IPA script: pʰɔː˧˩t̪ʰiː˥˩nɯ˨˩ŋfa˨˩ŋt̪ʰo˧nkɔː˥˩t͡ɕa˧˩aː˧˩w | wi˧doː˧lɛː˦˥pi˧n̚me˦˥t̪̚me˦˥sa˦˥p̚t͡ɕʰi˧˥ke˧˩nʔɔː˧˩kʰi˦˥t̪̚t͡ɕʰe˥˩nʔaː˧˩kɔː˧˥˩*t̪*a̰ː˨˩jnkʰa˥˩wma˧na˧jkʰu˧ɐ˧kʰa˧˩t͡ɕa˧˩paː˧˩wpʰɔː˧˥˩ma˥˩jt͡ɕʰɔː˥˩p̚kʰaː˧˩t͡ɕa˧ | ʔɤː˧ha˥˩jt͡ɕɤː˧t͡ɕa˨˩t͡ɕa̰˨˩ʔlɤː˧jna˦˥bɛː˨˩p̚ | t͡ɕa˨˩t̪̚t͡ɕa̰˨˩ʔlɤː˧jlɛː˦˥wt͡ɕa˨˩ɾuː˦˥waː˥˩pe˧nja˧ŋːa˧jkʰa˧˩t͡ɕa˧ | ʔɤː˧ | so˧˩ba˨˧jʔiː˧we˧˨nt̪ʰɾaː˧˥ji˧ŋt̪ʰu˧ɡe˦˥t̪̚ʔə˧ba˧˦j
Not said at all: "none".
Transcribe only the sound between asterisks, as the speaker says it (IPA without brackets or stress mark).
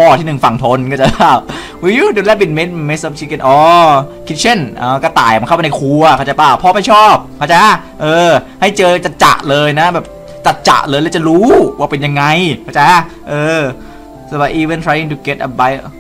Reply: t̪